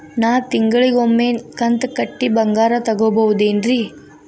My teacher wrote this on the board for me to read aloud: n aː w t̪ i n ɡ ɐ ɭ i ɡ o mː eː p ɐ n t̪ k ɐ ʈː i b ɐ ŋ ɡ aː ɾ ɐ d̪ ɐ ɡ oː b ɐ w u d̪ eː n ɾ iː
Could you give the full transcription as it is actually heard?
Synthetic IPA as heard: n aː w t̪ i ŋ ɡ ɐ ɭ i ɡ o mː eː k ɐ n t̪ k ɐ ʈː i b ɐ ŋ ɡ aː ɾ ɐ t̪ ɐ ɡ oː b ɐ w u d̪ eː n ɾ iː